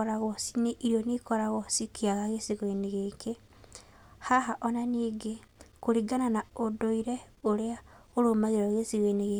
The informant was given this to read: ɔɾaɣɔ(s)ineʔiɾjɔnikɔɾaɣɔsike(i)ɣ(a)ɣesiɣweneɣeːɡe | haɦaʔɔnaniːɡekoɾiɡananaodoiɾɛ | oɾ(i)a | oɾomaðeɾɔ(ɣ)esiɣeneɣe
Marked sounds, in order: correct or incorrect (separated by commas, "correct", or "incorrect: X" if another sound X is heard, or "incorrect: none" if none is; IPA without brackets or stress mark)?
correct, incorrect: a, correct, incorrect: e, correct